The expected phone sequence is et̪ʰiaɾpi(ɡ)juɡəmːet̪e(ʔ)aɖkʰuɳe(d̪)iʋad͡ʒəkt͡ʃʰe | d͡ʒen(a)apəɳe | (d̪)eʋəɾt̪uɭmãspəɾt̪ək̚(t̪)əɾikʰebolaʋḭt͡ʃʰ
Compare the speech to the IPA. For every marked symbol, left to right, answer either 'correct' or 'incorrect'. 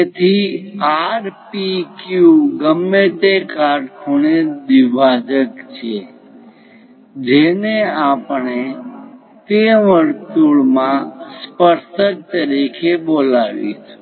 incorrect: k, incorrect: k, correct, incorrect: e, incorrect: t̪, correct

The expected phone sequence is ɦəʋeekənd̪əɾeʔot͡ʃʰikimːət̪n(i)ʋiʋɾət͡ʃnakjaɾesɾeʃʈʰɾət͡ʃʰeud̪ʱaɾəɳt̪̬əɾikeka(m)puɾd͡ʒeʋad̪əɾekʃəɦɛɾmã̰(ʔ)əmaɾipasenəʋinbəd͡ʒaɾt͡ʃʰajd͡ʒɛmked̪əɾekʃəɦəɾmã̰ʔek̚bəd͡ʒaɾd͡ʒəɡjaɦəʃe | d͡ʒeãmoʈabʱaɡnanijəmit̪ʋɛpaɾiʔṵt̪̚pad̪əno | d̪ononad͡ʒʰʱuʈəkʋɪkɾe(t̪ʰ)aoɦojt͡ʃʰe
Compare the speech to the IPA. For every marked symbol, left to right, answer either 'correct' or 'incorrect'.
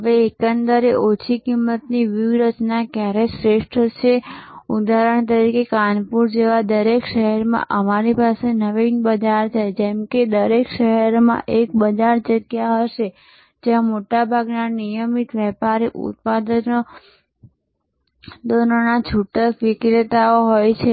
correct, incorrect: n, correct, incorrect: t̪

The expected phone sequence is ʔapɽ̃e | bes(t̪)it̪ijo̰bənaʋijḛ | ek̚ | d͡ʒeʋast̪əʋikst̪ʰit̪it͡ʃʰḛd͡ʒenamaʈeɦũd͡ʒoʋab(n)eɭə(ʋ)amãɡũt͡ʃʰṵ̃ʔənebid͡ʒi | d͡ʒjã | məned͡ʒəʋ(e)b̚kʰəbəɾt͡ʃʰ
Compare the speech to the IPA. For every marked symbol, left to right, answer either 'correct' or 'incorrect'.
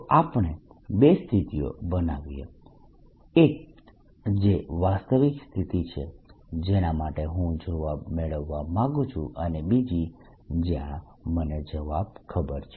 incorrect: t̪ʰ, incorrect: m, incorrect: ʋː, incorrect: a

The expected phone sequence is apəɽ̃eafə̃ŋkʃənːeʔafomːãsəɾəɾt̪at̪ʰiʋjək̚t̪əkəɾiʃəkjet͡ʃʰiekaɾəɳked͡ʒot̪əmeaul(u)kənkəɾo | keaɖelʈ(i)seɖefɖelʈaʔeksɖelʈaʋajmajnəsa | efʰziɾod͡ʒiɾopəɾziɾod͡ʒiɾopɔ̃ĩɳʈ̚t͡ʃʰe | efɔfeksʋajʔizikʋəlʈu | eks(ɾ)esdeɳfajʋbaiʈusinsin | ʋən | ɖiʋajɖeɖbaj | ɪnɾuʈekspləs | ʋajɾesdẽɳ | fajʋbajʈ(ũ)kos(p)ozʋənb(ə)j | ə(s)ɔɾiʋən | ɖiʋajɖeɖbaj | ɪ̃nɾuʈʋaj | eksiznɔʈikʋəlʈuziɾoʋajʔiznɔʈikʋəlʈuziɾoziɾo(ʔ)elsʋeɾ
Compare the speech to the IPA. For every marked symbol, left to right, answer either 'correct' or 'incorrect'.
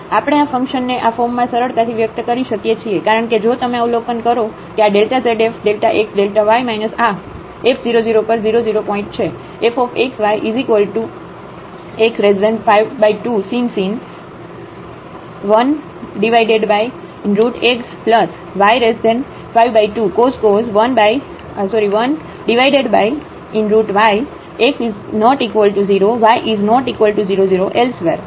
incorrect: o, incorrect: a, correct, incorrect: u, incorrect: k, incorrect: a, correct, correct

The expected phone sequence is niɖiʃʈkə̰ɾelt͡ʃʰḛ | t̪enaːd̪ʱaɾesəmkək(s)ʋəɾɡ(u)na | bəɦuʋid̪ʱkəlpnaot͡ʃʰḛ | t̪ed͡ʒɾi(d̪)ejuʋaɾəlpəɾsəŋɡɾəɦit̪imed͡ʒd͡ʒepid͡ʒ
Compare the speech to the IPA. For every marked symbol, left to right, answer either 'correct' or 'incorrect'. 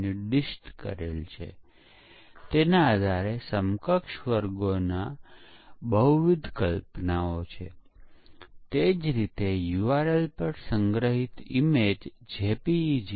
incorrect: ʃ, incorrect: o, incorrect: t̪

